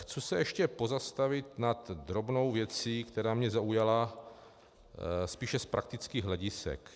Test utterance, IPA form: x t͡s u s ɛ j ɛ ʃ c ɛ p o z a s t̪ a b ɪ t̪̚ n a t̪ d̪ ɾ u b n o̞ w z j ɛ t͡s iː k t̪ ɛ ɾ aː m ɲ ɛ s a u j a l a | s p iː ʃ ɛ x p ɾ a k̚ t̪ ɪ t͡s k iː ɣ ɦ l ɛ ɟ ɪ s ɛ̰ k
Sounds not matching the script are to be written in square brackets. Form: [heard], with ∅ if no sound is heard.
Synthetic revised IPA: x t͡s u s ɛ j ɛ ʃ c ɛ p o z a s t̪ a [v] ɪ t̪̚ n a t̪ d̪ ɾ [o] b n o̞ w [v] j ɛ t͡s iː k t̪ ɛ ɾ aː m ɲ ɛ [z] a u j a l a | s p iː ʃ ɛ [s] p ɾ a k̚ t̪ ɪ t͡s k iː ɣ ɦ l ɛ ɟ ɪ s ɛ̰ k

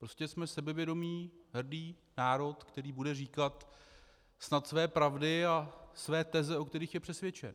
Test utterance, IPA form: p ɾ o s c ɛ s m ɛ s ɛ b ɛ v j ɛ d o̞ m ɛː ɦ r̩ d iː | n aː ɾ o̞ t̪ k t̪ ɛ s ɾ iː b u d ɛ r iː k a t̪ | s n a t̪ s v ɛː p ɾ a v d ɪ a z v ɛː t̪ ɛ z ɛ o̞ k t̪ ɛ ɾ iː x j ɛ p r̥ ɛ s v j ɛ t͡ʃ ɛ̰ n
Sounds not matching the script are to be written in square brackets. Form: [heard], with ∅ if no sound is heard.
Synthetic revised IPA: p ɾ o s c ɛ s m ɛ s ɛ b ɛ v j ɛ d o̞ m [iː] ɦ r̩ d iː | n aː ɾ o̞ t̪ k t̪ ɛ [∅] ɾ iː b u d ɛ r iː k a t̪ | s n a t̪ s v ɛː p ɾ a v d ɪ a [s] v ɛː t̪ ɛ z ɛ o̞ k t̪ ɛ ɾ iː x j ɛ p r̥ ɛ s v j ɛ t͡ʃ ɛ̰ n

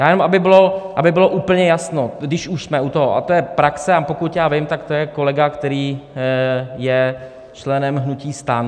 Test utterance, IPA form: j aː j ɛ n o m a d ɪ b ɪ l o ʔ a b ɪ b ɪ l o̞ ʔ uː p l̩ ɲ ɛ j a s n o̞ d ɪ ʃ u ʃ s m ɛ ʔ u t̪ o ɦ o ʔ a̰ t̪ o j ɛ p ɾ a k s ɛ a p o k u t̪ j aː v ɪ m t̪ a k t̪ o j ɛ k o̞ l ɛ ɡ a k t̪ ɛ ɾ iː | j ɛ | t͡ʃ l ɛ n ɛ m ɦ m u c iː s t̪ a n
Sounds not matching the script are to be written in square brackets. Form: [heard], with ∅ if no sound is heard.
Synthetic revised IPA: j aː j ɛ n o m a [b] ɪ b ɪ l o ʔ a b ɪ b ɪ l o̞ ʔ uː p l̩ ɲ ɛ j a s n o̞ d ɪ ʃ u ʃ s m ɛ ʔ u t̪ o ɦ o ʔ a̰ t̪ o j ɛ p ɾ a k s ɛ a p o k u t̪ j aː v ɪ m t̪ a k t̪ o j ɛ k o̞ l ɛ ɡ a k t̪ ɛ ɾ iː | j ɛ | t͡ʃ l ɛ n ɛ m ɦ [n] u c iː s t̪ a n

